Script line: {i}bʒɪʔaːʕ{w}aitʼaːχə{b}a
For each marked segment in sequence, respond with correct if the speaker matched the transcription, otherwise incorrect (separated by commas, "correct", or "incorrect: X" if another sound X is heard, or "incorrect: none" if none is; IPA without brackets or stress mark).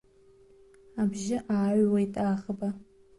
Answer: incorrect: a, correct, correct